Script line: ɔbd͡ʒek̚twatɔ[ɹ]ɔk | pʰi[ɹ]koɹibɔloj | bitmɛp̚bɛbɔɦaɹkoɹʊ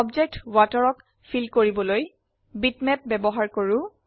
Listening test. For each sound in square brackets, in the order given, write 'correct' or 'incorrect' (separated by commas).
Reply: correct, incorrect